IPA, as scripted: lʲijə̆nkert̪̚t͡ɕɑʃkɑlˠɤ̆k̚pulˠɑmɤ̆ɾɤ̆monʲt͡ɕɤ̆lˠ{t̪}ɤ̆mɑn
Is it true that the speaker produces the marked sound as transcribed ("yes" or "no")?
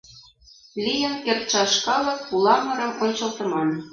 yes